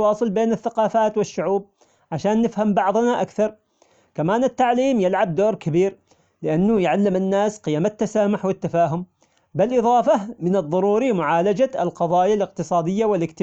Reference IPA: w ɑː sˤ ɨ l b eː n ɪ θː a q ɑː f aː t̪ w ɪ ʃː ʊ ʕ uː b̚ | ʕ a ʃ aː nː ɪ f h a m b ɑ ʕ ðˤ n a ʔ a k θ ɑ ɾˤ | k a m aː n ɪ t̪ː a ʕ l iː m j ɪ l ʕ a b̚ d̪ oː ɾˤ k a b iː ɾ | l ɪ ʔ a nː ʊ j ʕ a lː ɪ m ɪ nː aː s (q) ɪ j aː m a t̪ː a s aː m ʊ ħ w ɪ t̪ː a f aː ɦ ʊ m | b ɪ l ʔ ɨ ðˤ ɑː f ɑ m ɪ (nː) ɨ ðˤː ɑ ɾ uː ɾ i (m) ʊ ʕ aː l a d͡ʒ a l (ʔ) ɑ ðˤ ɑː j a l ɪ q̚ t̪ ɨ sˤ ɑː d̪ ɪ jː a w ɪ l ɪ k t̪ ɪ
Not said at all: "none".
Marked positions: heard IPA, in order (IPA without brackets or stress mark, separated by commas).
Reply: q, n, m, q